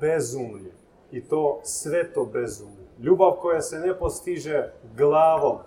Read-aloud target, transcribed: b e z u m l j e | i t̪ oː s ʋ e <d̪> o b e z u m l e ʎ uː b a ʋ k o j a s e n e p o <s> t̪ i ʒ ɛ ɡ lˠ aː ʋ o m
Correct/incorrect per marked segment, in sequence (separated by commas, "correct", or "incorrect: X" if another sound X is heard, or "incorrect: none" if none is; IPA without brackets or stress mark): incorrect: t̪, correct